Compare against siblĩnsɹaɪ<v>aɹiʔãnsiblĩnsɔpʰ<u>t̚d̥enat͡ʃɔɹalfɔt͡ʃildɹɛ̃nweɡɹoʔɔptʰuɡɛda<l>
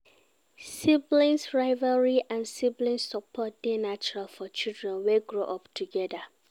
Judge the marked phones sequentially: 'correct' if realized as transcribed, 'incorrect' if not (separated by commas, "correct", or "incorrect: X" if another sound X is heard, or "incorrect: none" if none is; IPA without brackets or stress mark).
correct, incorrect: ɔ, incorrect: none